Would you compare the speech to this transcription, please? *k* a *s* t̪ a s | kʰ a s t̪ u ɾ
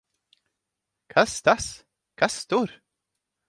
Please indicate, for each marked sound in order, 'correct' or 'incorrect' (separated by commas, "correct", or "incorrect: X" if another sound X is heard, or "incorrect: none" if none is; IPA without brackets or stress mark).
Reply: incorrect: kʰ, correct